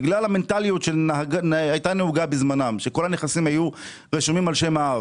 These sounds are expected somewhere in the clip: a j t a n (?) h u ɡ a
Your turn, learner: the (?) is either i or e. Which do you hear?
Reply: e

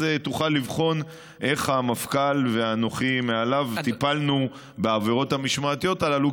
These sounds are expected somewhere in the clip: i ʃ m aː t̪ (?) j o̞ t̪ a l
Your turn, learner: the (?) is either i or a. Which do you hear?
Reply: i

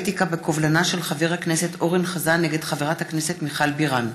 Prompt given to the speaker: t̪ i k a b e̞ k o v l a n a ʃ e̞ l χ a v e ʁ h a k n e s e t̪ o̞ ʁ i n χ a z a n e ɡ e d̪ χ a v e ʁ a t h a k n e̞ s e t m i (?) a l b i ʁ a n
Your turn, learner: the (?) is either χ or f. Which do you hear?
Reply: χ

